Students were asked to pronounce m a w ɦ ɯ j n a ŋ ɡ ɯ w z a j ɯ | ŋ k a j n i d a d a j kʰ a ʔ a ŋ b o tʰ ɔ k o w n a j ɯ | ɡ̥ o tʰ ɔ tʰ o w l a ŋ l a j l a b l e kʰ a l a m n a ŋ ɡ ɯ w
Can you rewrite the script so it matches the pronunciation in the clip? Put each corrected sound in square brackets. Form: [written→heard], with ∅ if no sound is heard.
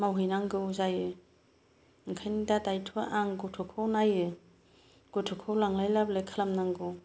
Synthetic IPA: m a w ɦ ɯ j n a ŋ ɡ ɯ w z a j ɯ | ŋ [k→kʰ] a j n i d a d a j [kʰ→tʰ] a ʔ a ŋ [b→ɡ] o tʰ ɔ [k→kʰ] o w n a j ɯ | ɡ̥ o tʰ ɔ [tʰ→kʰ] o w l a ŋ l a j l a b l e kʰ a l a m n a ŋ ɡ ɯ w